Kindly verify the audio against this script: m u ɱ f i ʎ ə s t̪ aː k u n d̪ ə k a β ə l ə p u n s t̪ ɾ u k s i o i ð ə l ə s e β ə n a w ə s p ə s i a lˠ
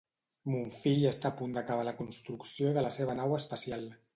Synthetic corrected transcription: m u ɱ f i ʎ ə s t̪ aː p u n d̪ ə k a β a l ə k u n s t̪ ɾ u k s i o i ð ə l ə s e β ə n a w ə s p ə s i a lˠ

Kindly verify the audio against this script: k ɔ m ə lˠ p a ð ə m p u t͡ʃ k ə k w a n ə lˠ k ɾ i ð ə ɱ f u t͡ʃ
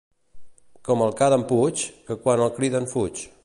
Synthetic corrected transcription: k ɔ m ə lˠ k a ð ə m p u t͡ʃ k ə k w a n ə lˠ k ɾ i ð ə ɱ f u t͡ʃ

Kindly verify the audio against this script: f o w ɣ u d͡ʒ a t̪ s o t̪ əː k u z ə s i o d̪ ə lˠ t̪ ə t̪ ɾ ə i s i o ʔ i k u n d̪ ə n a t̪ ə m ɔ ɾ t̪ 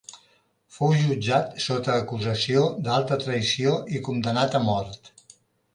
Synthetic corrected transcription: f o w ʒ u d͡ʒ a t̪ s o t̪ əː k u z ə s i o d̪ a lˠ t̪ ə t̪ ɾ ə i s i o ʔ i k u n d̪ ə n a t̪ ə m ɔ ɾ t̪

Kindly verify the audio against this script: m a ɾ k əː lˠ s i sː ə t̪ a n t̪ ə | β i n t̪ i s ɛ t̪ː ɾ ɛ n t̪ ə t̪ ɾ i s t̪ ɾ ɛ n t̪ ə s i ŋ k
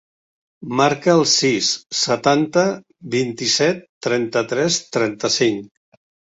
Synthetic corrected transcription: m a ɾ k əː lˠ s i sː ə t̪ a n t̪ ə | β i n t̪ i s ɛ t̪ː ɾ ɛ n t̪ ə t̪ ɾ ɛ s t̪ ɾ ɛ n t̪ ə s i ŋ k

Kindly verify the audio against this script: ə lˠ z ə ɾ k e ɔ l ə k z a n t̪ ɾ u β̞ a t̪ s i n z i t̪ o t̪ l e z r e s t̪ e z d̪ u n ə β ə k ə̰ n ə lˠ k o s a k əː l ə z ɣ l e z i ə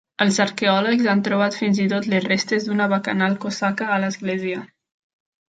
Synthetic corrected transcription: ə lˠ z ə ɾ k e ɔ l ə k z a n t̪ ɾ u β̞ a t̪ f i n z i t̪ o t̪ l e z r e s t̪ e z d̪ u n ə β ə k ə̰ n a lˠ k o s a k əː l ə z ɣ l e z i ə

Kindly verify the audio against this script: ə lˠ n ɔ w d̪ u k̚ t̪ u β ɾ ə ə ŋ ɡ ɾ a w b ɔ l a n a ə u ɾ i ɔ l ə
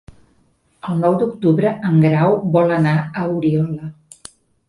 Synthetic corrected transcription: ə lˠ n ɔ w d̪ u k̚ t̪ u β ɾ ə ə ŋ ɡ ɾ a w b ɔ l ə n a ə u ɾ i ɔ l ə

